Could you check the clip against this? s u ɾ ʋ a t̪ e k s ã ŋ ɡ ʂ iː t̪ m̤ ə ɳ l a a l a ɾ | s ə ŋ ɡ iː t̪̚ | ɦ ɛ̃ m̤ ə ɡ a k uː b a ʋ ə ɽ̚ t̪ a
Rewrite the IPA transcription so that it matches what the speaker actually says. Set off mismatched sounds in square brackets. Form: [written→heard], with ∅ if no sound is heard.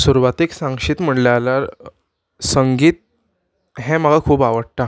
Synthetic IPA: s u ɾ ʋ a t̪ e k s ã ŋ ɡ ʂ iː t̪ m̤ ə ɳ l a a l a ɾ | s ə ŋ ɡ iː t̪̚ | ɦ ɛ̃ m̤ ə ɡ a [k→kʰ] uː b a ʋ ə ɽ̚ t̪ a